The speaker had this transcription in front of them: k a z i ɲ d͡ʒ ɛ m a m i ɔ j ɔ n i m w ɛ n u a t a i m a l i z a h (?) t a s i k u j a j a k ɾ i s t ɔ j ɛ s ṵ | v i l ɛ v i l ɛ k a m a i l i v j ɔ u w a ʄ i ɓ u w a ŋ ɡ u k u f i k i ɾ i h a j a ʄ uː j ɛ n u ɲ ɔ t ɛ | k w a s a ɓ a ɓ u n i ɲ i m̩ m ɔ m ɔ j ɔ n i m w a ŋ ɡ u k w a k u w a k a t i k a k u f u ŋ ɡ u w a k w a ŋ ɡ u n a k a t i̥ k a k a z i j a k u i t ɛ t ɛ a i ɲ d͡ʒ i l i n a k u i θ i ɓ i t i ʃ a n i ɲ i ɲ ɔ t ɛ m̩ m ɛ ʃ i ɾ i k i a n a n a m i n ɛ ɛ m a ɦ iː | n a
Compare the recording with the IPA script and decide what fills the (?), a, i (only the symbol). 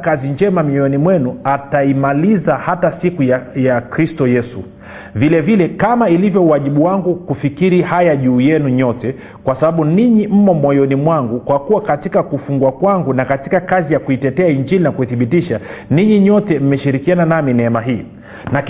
a